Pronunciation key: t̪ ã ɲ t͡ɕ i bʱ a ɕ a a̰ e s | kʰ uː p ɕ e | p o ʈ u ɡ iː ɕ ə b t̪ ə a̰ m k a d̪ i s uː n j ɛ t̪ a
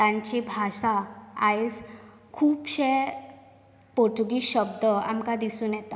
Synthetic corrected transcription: t̪ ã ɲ t͡ɕ i bʱ a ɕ a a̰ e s | kʰ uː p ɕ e | p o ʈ u ɡ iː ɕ ə b d̪ ə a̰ m k a d̪ i s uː n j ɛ t̪ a

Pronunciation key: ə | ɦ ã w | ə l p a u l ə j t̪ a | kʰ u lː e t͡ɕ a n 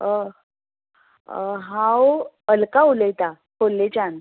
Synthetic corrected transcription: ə | ɦ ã w | ə l k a u l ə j t̪ a | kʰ o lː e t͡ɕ a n

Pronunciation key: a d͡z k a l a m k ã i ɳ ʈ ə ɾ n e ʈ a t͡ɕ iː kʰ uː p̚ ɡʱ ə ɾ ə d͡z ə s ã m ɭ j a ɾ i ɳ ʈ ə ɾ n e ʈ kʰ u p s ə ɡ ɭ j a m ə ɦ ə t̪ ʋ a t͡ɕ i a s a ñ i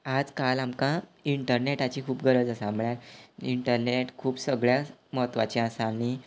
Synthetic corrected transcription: a d͡z k a l a m k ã i ɳ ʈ ə ɾ n e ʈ a t͡ɕ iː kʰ uː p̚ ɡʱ ə ɾ ə d͡z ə s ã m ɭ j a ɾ i ɳ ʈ ə ɾ n e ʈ kʰ uː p s ə ɡ ɭ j a m ə ɦ ə t̪ ʋ a t͡ɕ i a s a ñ i

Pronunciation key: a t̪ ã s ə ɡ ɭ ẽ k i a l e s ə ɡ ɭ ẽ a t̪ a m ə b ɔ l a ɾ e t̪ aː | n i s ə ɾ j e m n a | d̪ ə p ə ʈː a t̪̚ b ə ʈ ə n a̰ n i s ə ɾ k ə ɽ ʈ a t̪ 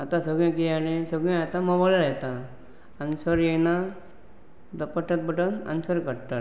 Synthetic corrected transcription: a t̪ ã s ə ɡ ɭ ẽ k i a l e s ə ɡ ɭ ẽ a t̪ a m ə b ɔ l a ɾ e t̪ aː | n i s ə ɾ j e n a | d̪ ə p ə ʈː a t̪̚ b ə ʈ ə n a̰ n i s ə ɾ k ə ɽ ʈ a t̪

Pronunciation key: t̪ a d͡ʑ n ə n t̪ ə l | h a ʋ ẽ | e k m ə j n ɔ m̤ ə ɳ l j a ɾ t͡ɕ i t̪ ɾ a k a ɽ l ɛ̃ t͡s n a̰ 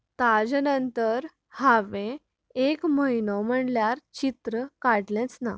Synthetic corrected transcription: t̪ a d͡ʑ n ə n t̪ ə ɾ | h a ʋ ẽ | e k m ə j n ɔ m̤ ə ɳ l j a ɾ t͡ɕ i t̪ ɾ ə k a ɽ l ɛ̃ t͡s n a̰

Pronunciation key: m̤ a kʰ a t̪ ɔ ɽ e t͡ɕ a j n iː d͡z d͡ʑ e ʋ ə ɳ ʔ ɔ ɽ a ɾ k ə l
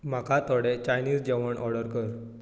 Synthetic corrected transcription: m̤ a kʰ a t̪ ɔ ɽ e t͡ɕ a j n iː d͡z d͡ʑ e ʋ ə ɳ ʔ ɔ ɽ ə ɾ k ə ɾ

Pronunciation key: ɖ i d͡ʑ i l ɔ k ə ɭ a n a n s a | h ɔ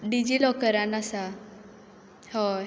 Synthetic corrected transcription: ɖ i d͡ʑ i l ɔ k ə ɾ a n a s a | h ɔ

